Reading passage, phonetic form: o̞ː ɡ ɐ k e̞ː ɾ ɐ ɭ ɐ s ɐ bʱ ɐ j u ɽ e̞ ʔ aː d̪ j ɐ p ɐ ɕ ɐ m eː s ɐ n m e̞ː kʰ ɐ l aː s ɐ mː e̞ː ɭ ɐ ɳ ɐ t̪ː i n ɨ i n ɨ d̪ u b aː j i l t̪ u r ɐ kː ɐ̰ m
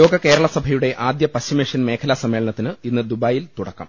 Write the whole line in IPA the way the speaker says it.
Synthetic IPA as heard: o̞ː ɡ ɐ k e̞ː ɾ ɐ ɭ ɐ s ɐ bʱ ɐ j u ɽ e̞ ʔ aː d̪ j ɐ p ɐ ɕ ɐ m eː ʂ ɐ n m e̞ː kʰ ɐ l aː s ɐ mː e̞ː ɭ ɐ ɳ ɐ t̪ː i n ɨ i nː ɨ d̪ u b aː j i l t̪ u ɽ ɐ kː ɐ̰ m